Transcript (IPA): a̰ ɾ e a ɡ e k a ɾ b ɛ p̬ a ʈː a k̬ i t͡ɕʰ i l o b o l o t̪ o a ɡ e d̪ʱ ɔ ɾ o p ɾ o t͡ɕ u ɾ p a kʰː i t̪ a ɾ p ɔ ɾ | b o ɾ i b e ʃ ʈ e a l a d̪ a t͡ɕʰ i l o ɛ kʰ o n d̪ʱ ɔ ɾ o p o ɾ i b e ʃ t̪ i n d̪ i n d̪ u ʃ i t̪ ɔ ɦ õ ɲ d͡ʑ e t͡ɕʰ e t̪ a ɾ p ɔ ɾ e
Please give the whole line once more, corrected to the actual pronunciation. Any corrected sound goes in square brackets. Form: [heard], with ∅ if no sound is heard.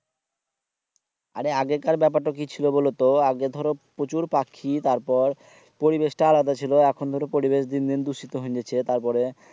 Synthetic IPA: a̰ ɾ e a ɡ e k a ɾ b ɛ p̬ a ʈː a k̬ i t͡ɕʰ i l o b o l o t̪ o a ɡ e d̪ʱ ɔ ɾ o p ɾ o t͡ɕ u ɾ p a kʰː i t̪ a ɾ p ɔ ɾ | [p] o ɾ i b e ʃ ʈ [a] a l a d̪ a t͡ɕʰ i l o ɛ kʰ o n d̪ʱ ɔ ɾ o p o ɾ i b e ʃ [d̪] i n d̪ i n d̪ u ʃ i t̪ [o] ɦ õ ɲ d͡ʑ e t͡ɕʰ e t̪ a ɾ p ɔ ɾ e